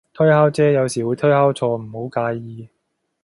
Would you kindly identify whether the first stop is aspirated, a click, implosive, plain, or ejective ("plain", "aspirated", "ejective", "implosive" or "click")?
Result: aspirated